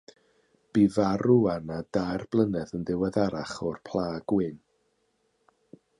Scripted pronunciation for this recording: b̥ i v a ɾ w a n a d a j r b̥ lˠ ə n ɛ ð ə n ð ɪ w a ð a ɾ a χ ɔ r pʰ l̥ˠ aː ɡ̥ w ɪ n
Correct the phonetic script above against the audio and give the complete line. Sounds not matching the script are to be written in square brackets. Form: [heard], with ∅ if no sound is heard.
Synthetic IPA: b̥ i v a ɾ [u] a n a d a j r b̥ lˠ ə n ɛ ð ə n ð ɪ w [ɛ] ð a ɾ a χ ɔ r pʰ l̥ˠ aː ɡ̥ w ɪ n